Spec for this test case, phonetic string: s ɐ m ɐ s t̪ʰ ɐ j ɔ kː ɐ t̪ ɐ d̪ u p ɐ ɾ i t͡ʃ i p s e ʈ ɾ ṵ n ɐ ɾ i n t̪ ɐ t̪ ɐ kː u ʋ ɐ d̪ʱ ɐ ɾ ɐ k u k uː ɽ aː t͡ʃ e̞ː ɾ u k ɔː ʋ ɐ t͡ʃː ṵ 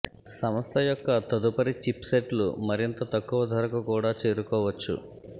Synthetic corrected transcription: s ɐ m ɐ s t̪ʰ ɐ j ɔ kː ɐ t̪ ɐ d̪ u p ɐ ɾ i t͡ʃ i p s e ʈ l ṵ m ɐ ɾ i n t̪ ɐ t̪ ɐ kː u ʋ ɐ d̪ʱ ɐ ɾ ɐ k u k uː ɽ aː t͡ʃ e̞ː ɾ u k ɔː ʋ ɐ t͡ʃː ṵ

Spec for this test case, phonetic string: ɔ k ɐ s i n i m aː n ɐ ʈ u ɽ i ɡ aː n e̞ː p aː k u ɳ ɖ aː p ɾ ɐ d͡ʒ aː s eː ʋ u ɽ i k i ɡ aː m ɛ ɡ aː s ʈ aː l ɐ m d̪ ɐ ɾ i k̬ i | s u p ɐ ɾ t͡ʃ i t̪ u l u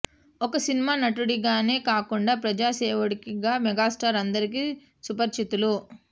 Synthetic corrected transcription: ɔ k ɐ s i n i m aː n ɐ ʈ u ɽ i ɡ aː n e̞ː k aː k u ɳ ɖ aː p ɾ ɐ d͡ʒ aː s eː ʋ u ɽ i k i ɡ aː m ɛ ɡ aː s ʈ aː ɾ ɐ n d̪ ɐ ɾ i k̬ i | s u p ɐ ɾ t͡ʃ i t̪ u l u

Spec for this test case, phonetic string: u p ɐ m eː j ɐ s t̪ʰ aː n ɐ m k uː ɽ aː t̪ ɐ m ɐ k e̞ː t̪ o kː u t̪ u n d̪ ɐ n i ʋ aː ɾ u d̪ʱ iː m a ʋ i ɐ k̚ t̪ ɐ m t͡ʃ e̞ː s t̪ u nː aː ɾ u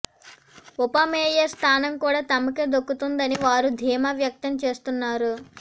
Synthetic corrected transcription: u p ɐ m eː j ɐ s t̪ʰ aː n ɐ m k uː ɽ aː t̪ ɐ m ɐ k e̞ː d̪ o kː u t̪ u n d̪ ɐ n i ʋ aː ɾ u d̪ʱ iː m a ʋ j ɐ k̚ t̪ ɐ m t͡ʃ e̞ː s t̪ u nː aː ɾ u

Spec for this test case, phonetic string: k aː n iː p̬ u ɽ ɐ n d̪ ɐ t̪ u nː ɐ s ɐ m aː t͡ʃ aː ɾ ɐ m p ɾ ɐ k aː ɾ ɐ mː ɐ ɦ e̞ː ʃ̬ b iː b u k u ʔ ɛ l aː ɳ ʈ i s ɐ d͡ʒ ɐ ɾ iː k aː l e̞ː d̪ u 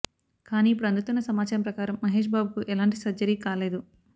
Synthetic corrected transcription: k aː n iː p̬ u ɽ ɐ n d̪ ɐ t̪ u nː ɐ s ɐ m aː t͡ʃ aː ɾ ɐ m p ɾ ɐ k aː ɾ ɐ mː ɐ ɦ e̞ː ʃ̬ b aː b u k u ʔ ɛ l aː ɳ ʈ i s ɐ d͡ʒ ɐ ɾ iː k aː l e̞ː d̪ u

